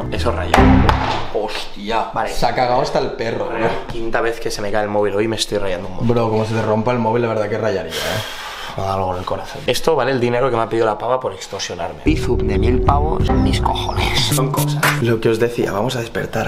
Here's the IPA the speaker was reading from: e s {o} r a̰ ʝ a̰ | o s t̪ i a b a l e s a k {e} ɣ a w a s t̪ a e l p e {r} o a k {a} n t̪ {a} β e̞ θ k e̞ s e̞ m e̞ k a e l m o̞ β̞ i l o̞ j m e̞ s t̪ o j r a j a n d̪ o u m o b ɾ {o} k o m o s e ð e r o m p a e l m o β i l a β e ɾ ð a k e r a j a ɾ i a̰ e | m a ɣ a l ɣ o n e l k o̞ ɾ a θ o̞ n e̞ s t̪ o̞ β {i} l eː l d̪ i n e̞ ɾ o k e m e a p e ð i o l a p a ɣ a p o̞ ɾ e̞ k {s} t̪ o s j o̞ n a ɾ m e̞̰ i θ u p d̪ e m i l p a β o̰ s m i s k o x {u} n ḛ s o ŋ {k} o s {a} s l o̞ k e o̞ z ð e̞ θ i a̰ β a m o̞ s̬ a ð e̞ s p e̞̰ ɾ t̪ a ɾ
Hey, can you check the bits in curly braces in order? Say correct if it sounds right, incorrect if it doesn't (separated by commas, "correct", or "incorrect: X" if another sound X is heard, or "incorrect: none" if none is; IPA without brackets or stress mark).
correct, incorrect: a, correct, incorrect: i, correct, correct, incorrect: a, correct, incorrect: o, correct, correct